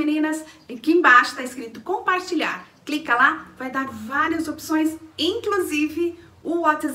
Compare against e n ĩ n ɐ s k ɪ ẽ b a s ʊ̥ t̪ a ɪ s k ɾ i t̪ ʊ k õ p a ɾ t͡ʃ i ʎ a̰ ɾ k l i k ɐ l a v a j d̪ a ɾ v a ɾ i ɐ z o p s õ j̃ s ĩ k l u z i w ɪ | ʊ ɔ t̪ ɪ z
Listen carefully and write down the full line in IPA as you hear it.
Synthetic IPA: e n ĩ n ɐ s k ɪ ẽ b a ʃ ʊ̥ t̪ a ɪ s k ɾ i t̪ ʊ k õ p a ɾ t͡ʃ i ʎ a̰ ɾ k l i k ɐ l a v a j d̪ a ɾ v a ɾ i ɐ z o p s õ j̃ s ĩ k l u z i v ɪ | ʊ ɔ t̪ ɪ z